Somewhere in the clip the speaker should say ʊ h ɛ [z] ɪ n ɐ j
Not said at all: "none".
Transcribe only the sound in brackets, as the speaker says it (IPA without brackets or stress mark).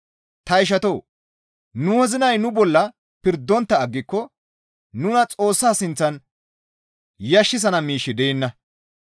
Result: z